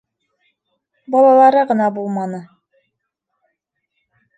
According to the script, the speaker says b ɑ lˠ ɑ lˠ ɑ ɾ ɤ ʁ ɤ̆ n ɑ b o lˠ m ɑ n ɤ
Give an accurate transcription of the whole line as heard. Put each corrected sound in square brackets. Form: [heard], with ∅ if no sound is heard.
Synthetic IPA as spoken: b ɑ lˠ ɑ lˠ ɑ ɾ ɤ ʁ ɤ̆ n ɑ b [u] lˠ m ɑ n ɤ